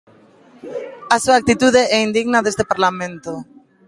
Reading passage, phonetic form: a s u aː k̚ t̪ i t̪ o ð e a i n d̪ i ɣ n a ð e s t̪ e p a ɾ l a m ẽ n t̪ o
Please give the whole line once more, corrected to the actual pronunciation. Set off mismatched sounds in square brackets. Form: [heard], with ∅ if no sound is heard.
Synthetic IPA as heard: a s u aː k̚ t̪ i t̪ [u] ð e [ɛ] i n d̪ i ɣ n a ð e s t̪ e p a ɾ l a m ẽ n t̪ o